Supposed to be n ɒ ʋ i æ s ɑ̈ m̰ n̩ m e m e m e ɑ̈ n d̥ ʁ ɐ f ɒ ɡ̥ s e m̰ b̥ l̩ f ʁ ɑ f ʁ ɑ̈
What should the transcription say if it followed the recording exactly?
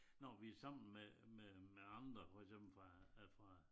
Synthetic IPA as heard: n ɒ ʋ i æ s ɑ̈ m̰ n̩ m e m e m e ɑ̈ n d̥ ʁ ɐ f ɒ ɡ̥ s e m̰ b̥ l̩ f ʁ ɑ f ʁ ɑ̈